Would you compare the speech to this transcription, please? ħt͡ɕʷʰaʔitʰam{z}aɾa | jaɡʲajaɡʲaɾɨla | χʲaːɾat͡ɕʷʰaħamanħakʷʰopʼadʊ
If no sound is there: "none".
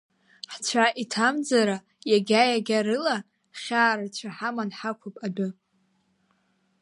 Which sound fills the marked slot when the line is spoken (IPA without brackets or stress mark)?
d͡z